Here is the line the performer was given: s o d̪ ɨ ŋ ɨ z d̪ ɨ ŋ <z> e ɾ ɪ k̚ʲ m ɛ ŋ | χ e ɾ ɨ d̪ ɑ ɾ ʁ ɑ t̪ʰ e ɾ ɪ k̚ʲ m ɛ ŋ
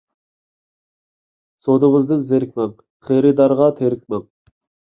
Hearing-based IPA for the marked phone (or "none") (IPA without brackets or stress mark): z